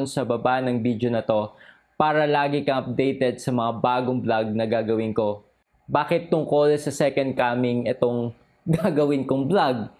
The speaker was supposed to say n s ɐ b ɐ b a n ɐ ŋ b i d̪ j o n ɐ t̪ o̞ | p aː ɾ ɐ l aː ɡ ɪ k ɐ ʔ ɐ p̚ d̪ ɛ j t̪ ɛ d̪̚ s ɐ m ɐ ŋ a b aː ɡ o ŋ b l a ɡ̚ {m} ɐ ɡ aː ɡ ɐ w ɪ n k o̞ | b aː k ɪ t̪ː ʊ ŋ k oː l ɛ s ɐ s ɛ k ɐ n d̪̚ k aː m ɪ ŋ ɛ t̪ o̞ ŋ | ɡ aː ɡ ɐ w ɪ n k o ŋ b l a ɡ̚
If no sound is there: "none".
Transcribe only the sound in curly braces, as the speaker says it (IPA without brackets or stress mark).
n